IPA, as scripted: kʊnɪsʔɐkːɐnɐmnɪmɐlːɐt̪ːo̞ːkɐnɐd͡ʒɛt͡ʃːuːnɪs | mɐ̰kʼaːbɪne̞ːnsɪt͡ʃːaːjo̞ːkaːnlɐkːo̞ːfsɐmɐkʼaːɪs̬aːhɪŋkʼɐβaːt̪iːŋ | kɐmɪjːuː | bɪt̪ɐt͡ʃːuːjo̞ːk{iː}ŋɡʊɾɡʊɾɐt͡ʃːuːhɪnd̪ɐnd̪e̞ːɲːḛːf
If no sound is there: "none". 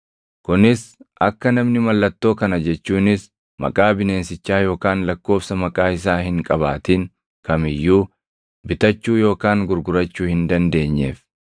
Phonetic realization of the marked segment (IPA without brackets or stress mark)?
aː